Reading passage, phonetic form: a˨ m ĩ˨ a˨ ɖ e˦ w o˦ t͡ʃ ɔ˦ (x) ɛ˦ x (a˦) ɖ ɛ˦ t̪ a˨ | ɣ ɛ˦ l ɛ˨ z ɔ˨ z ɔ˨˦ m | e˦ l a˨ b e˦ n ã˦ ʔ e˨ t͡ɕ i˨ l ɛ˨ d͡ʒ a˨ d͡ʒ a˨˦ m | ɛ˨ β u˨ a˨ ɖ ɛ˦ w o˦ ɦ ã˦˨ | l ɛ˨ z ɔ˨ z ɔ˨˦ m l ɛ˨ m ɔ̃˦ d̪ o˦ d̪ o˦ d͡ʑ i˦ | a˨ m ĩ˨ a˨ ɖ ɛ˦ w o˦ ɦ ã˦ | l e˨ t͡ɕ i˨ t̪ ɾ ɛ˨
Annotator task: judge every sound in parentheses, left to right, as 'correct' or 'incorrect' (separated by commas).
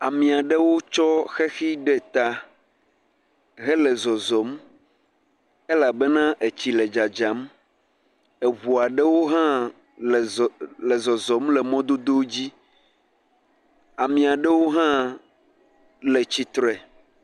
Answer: correct, incorrect